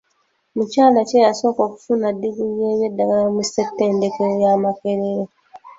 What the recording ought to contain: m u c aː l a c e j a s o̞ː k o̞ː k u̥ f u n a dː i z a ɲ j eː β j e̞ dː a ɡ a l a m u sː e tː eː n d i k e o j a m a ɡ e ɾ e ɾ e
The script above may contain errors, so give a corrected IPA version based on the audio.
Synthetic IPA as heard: m u c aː l a c e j a s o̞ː k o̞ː k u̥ f u n a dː i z i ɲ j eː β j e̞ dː a ɡ a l a m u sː e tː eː n d e k e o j a m a k e ɾ e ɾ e